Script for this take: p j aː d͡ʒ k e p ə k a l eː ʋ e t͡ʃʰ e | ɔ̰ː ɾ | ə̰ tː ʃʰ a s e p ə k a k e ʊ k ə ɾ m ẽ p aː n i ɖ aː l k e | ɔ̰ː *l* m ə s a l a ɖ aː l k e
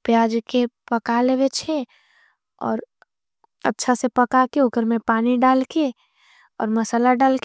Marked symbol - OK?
no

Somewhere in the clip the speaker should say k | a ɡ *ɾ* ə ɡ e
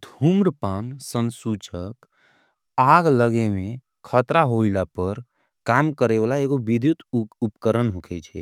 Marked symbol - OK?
no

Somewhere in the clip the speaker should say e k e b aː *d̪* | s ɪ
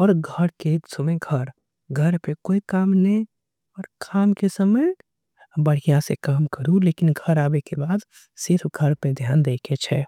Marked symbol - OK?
yes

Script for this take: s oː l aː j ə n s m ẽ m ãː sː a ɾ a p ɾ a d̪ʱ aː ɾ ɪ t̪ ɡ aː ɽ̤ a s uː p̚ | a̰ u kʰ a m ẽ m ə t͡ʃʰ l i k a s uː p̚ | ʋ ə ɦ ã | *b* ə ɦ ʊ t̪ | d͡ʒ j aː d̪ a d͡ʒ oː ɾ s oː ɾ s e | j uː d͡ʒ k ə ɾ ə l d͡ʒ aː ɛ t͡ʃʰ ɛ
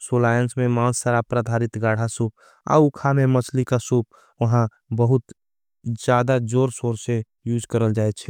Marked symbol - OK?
yes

